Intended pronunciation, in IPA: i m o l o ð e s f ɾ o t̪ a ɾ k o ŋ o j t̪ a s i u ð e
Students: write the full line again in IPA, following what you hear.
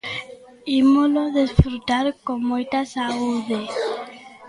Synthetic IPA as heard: i m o l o ð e s f ɾ u t̪ a ɾ k o m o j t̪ a s a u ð e

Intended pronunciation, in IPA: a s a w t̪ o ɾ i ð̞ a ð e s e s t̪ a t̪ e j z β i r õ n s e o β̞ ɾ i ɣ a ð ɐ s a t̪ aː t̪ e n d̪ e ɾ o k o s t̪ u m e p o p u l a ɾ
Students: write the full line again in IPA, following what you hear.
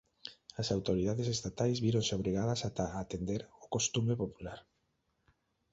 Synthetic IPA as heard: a s a w t̪ o ɾ i ð̞ a ð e s e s t̪ a t̪ a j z β i ɾ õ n s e o β̞ ɾ i ɣ a ð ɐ s a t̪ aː t̪ e n d̪ e ɾ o k o s t̪ u m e p o p u l a ɾ

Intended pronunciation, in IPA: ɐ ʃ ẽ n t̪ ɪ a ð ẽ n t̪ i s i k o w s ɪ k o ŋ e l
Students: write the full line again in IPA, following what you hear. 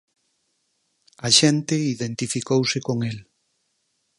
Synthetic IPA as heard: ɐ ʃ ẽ n t̪ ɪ i ð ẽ n t̪ i f i k o w s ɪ k o ŋ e l

